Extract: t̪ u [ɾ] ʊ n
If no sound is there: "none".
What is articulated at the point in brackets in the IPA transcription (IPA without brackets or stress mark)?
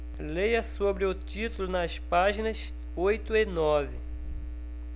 l